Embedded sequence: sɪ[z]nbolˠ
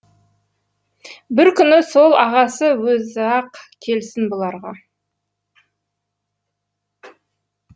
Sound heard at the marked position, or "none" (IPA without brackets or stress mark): none